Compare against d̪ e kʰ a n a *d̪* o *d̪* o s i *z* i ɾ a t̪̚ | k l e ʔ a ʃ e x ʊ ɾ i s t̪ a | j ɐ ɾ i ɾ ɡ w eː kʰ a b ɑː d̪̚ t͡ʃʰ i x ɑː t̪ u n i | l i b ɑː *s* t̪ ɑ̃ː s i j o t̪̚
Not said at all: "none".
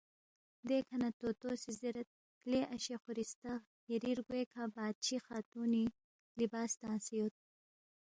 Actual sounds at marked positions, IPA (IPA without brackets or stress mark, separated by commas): t̪, t̪, z, s